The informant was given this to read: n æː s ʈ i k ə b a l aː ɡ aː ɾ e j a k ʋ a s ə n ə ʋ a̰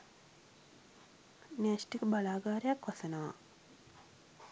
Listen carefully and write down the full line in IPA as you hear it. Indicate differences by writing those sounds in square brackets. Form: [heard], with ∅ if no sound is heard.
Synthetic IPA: n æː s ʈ i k ə b a l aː ɡ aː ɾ e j a k ʋ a s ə n ə ʋ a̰